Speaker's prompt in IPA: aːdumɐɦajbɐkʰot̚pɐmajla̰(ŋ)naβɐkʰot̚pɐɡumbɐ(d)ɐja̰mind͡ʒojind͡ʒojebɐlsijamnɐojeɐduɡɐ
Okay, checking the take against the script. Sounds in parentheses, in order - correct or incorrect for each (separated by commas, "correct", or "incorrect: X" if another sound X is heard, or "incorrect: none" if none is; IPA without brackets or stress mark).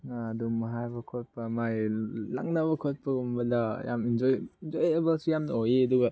correct, correct